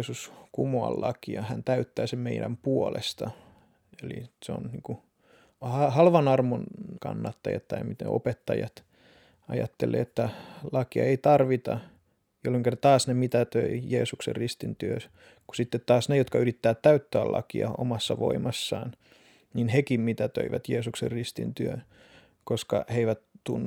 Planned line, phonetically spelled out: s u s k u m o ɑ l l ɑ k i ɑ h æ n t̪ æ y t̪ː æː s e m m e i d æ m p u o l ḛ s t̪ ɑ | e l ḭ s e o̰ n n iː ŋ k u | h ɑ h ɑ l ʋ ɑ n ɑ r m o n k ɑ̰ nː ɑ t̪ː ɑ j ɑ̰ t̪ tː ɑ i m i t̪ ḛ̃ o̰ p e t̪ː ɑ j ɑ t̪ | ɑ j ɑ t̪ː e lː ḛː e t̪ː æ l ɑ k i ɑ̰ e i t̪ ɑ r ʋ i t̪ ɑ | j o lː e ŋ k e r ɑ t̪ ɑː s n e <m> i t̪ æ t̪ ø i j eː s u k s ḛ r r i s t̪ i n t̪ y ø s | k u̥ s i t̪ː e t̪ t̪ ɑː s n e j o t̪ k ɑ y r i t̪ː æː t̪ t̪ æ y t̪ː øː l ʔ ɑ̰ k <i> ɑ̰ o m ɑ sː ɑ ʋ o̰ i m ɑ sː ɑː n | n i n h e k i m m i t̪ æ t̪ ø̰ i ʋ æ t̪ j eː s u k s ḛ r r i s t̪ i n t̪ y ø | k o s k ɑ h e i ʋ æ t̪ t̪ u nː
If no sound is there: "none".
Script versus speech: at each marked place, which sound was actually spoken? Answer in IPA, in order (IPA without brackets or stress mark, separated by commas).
m, i